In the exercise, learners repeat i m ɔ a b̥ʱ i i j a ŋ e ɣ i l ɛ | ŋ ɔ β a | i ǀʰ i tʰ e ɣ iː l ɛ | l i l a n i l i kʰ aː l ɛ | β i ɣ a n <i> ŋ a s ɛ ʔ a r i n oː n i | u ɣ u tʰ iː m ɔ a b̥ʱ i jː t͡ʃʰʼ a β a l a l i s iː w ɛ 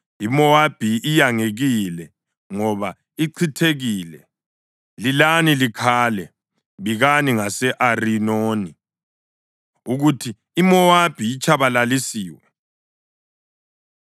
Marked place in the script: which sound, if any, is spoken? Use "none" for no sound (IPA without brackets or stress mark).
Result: i